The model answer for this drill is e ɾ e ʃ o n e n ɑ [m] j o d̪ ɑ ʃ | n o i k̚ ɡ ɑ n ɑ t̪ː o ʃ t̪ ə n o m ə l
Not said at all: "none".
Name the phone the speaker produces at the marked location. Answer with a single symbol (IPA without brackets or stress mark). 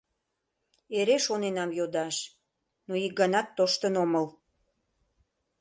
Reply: m